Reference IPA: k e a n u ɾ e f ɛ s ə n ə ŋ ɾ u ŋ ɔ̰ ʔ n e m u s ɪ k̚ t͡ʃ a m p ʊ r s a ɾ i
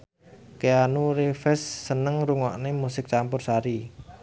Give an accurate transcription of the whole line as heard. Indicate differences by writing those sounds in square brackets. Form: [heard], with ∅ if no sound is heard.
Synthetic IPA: k e a n u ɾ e f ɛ [sː] ə n ə ŋ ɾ u ŋ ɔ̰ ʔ n e m u s ɪ k̚ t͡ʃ a m p ʊ r s a ɾ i